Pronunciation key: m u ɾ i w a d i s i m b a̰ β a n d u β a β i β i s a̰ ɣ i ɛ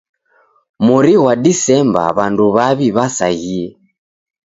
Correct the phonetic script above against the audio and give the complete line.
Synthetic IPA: m u ɾ i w a d i s ɛ m b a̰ β a n d u β a β i β a s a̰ ɣ i ɛ